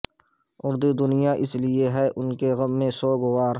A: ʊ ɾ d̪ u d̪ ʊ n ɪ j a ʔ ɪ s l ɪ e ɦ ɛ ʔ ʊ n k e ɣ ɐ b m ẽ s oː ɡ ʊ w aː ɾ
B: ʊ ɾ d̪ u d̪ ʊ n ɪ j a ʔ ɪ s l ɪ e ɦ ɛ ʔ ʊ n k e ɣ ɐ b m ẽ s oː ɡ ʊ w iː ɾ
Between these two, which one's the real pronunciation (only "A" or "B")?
A